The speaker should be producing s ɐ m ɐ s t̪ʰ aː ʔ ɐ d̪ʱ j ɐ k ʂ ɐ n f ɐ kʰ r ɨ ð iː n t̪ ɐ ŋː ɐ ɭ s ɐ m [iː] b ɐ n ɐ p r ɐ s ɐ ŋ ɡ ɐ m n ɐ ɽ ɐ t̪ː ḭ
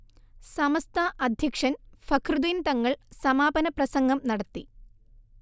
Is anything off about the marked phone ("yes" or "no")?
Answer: yes